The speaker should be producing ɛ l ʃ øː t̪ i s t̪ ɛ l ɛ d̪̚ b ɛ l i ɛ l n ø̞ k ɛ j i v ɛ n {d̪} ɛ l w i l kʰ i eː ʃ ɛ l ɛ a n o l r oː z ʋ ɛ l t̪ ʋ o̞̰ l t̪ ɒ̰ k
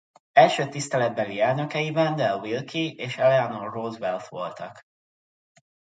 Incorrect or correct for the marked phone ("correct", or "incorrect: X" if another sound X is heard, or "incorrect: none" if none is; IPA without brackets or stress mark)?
correct